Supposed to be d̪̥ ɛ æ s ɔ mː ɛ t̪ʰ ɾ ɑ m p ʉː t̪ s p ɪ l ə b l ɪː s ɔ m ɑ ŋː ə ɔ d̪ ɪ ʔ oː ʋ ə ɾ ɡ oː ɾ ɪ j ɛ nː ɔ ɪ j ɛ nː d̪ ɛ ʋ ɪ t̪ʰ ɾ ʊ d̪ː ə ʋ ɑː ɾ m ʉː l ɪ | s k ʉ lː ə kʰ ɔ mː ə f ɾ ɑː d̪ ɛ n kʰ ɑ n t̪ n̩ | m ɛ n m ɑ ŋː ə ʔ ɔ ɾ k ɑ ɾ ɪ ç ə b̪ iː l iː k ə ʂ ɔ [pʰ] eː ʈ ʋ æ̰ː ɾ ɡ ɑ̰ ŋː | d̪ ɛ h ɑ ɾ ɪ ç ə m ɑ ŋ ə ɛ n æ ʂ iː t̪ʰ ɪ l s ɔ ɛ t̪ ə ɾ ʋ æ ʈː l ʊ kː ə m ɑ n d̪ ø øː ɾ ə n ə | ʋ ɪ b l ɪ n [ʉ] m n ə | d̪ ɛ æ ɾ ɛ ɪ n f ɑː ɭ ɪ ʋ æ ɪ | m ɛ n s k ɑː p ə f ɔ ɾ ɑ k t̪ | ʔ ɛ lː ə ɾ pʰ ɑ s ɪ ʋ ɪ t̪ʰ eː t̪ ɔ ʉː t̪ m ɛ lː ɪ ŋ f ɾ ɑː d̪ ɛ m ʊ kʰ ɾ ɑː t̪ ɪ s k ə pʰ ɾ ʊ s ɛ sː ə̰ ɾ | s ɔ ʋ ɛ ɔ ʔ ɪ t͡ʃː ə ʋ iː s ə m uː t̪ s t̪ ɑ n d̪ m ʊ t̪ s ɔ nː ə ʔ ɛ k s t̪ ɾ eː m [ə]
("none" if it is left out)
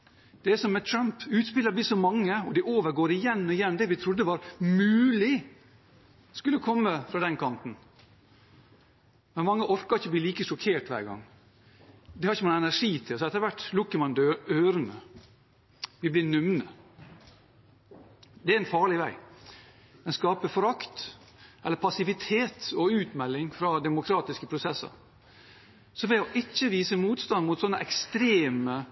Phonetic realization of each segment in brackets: kʰ, ʉ, ə

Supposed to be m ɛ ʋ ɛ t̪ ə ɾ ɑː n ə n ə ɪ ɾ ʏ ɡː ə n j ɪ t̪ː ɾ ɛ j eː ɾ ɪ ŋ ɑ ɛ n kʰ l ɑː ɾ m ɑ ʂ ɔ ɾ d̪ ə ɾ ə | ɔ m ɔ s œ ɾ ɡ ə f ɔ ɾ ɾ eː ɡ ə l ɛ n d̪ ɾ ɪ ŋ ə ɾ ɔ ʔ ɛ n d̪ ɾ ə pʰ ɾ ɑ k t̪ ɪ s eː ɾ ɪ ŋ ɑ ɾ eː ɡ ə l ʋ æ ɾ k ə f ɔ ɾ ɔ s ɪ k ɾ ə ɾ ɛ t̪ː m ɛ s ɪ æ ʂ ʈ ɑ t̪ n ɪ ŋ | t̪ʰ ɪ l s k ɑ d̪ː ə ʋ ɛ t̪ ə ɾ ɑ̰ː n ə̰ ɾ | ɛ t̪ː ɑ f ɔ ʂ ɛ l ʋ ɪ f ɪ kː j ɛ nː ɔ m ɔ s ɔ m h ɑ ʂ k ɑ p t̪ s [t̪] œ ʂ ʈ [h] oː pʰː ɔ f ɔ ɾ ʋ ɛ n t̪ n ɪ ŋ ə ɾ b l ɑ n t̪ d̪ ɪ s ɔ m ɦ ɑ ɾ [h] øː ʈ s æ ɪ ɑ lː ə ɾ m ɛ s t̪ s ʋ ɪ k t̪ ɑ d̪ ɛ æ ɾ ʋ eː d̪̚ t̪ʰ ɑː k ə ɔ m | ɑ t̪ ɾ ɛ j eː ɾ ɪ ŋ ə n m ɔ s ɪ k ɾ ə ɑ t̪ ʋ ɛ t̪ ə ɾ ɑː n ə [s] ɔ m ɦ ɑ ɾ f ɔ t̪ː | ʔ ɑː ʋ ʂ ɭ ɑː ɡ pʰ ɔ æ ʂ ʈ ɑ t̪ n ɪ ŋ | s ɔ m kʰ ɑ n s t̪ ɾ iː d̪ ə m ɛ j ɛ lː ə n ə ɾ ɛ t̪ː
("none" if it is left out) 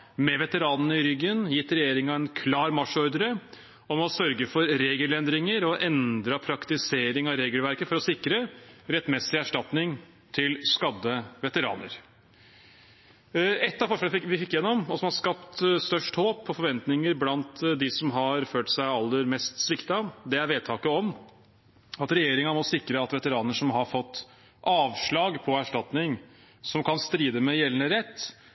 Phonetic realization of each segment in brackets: t̪, h, f, ʂ

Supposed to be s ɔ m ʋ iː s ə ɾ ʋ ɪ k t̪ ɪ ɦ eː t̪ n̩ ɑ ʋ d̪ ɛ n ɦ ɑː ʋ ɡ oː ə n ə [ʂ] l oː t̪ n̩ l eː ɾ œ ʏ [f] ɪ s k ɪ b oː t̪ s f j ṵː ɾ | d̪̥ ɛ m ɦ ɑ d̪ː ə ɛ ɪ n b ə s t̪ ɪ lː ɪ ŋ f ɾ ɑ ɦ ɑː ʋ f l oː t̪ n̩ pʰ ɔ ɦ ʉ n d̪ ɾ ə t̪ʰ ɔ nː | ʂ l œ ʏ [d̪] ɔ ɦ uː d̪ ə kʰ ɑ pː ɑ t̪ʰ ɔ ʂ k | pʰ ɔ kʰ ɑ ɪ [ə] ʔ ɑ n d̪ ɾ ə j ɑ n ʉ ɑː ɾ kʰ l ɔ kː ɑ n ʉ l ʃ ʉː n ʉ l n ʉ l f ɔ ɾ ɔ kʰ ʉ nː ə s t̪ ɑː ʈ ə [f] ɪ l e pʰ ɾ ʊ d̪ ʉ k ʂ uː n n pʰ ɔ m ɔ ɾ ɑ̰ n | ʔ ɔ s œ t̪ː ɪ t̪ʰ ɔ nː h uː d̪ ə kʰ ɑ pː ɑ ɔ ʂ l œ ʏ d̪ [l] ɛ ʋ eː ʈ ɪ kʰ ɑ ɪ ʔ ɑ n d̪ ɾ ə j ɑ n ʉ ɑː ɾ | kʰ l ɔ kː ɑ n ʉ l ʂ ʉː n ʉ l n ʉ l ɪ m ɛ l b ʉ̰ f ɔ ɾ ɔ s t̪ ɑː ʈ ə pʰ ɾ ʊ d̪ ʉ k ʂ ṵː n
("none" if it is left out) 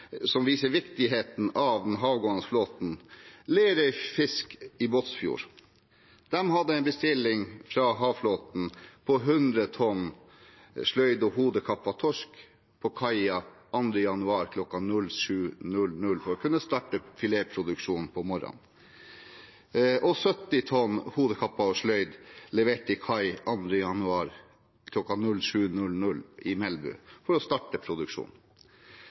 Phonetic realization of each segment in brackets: f, f, d̪, ɑ, f, l

